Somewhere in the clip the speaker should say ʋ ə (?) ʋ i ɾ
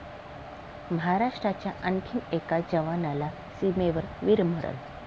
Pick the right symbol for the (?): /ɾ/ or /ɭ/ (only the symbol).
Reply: ɾ